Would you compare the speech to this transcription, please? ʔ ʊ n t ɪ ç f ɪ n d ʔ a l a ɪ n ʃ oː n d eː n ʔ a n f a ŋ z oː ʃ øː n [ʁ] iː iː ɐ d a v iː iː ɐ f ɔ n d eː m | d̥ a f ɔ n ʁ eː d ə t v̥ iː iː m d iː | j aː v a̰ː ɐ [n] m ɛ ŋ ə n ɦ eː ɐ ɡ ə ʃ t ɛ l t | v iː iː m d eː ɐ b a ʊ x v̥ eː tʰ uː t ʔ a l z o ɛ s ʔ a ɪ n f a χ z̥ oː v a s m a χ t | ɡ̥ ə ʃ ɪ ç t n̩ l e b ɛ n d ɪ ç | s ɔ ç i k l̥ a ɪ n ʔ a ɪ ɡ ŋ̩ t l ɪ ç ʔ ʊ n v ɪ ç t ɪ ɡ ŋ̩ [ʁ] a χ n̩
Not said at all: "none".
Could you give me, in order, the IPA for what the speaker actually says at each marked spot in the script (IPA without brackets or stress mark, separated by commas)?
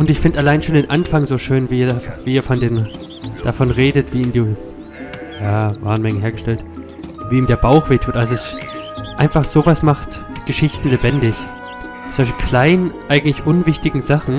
v, n, z